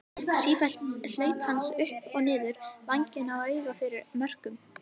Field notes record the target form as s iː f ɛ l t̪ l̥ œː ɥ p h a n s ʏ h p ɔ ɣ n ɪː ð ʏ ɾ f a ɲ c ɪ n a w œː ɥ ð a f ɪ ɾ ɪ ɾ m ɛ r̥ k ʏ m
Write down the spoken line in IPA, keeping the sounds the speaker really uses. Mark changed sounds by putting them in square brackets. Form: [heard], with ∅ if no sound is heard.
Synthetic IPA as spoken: s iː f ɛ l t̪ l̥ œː ɥ p h a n s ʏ h p ɔ ɣ n ɪː ð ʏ ɾ [v] a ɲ c ɪ n a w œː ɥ [ɣ] a f ɪ ɾ ɪ ɾ m [œ] r̥ k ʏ m